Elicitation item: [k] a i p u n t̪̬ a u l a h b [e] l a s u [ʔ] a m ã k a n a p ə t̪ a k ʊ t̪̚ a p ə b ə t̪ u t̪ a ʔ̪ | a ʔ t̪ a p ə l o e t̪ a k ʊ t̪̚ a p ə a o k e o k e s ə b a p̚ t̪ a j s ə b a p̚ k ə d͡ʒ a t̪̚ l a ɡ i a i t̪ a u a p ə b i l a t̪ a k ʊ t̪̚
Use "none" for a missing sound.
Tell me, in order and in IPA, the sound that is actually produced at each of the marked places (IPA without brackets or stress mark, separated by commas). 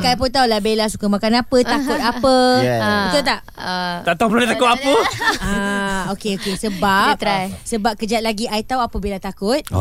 k, e, k